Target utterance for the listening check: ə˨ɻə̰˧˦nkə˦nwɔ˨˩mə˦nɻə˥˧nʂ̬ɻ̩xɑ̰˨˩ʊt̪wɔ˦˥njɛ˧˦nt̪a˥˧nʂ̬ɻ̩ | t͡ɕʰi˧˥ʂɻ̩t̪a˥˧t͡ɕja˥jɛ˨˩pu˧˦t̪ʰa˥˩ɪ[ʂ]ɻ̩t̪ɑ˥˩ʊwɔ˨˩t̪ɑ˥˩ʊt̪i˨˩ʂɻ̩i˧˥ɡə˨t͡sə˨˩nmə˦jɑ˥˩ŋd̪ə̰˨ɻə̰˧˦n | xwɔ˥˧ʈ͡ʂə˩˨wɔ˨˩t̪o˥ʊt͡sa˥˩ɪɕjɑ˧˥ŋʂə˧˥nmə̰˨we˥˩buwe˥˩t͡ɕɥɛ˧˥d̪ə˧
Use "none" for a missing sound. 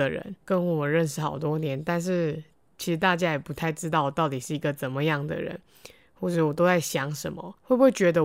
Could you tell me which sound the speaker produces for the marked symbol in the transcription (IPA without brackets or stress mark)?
ʈ͡ʂ